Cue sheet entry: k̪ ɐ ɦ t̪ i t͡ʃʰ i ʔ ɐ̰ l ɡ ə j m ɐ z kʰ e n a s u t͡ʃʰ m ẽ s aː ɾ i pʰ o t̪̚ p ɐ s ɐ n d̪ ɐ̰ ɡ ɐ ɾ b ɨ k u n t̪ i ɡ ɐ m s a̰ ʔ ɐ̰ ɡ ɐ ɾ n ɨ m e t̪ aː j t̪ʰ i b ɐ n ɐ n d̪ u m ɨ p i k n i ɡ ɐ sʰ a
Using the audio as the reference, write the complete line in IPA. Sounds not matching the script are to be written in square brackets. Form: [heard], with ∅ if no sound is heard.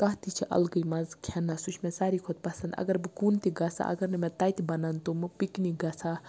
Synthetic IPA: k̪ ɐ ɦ t̪ i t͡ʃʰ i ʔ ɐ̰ l ɡ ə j m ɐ z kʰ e n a s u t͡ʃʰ m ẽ s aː ɾ i [kʰ] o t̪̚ p ɐ s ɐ n d̪ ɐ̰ ɡ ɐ ɾ b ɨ k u n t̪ i ɡ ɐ [∅] s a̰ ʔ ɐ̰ ɡ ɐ ɾ n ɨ m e t̪ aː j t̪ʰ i b ɐ n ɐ n [t̪] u m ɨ p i k n i ɡ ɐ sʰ a